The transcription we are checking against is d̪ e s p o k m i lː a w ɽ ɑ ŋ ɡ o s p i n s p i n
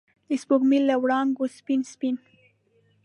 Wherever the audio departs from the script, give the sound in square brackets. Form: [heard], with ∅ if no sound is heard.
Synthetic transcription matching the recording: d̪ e s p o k m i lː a w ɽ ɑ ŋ ɡ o s p i n s p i n